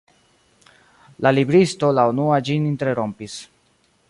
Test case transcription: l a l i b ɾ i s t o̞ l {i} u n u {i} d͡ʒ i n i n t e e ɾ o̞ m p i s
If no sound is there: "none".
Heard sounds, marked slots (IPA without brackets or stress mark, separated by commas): a, a